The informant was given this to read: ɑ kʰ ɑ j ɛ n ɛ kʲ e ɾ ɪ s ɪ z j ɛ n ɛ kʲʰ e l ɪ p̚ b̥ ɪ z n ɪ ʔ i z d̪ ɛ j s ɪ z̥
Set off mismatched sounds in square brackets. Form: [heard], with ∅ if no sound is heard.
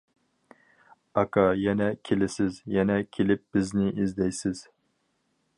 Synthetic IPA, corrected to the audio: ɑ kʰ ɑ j ɛ n ɛ [kʲʰ] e [l] ɪ s ɪ z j ɛ n ɛ kʲʰ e l ɪ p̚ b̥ ɪ z n ɪ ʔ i z d̪ ɛ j s ɪ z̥